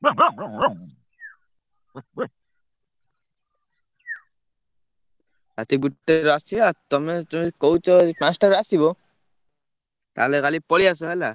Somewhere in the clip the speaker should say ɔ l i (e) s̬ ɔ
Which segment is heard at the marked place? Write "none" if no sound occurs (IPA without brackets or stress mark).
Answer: a